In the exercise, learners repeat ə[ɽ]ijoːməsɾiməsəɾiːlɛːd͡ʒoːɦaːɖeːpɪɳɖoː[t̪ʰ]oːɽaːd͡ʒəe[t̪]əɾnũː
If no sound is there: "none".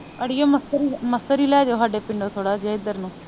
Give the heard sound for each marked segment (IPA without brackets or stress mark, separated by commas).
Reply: ɽ, t̪ʰ, d̪